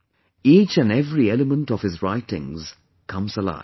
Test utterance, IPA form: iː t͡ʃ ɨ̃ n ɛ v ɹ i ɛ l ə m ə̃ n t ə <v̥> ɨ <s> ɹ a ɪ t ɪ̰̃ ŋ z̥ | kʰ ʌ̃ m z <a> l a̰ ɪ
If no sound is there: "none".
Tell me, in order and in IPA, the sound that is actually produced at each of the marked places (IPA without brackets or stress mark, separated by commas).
v̥, z, ə